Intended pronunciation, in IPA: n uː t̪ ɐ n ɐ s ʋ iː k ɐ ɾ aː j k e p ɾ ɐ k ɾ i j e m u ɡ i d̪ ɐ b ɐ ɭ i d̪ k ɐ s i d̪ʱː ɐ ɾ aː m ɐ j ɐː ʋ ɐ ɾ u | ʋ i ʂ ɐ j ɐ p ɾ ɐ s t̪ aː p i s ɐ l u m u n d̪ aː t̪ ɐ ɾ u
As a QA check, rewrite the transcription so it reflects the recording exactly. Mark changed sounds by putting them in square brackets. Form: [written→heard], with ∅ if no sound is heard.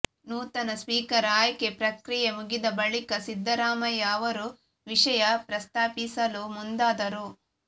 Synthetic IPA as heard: n uː t̪ ɐ n ɐ s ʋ iː k ɐ ɾ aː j k e p ɾ ɐ k ɾ i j e m u ɡ i d̪ ɐ b ɐ ɭ i [d̪→∅] k ɐ s i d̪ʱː ɐ ɾ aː m ɐ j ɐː ʋ ɐ ɾ u | ʋ i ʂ ɐ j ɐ p ɾ ɐ s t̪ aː p i s ɐ l u m u n d̪ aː [t̪→d̪] ɐ ɾ u